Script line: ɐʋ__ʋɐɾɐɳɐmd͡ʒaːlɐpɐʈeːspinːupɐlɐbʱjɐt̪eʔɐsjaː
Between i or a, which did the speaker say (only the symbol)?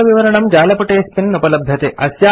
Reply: i